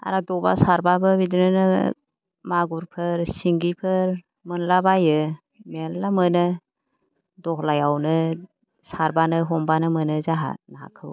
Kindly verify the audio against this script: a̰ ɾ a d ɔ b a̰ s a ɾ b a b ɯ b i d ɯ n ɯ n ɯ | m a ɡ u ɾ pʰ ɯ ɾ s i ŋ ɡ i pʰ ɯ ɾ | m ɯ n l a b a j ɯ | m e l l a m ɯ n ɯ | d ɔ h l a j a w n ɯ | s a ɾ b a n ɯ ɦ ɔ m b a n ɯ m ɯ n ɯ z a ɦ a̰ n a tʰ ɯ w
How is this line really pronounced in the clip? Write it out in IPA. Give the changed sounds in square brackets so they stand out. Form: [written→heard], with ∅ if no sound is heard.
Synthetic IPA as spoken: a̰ ɾ a d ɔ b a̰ s a ɾ b a b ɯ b i d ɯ n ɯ n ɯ | m a ɡ u ɾ pʰ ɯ ɾ s i ŋ ɡ i pʰ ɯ ɾ | m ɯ n l a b a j ɯ | m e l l a m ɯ n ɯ | d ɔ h l a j a w n ɯ | s a ɾ b a n ɯ ɦ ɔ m b a n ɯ m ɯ n ɯ z a ɦ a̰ n a [tʰ→kʰ] ɯ w